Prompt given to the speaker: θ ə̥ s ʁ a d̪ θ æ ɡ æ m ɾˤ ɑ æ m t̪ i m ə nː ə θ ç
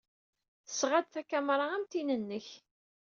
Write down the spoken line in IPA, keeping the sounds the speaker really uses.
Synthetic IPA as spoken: θ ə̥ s ʁ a d̪ θ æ k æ m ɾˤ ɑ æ m t̪ i n ə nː ə ç